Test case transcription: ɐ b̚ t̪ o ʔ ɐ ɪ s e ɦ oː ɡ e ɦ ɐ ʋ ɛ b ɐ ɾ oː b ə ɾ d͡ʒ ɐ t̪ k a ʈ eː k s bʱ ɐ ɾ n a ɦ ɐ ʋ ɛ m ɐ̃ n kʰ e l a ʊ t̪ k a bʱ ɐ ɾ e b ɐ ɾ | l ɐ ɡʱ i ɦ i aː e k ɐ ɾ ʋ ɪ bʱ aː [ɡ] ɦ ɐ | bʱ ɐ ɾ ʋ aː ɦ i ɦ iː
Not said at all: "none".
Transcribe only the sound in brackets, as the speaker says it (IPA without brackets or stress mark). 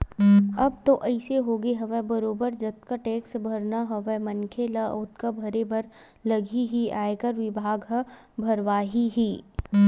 ɡ